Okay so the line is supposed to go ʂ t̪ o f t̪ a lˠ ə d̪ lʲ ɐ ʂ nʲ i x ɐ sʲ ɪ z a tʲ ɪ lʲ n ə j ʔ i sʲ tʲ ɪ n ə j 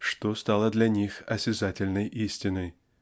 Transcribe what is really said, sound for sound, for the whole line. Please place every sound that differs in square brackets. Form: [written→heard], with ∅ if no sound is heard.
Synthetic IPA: ʂ t̪ o [f→s] t̪ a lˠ ə d̪ lʲ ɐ [ʂ→∅] nʲ i x ɐ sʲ ɪ z a tʲ ɪ lʲ n ə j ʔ i sʲ tʲ ɪ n ə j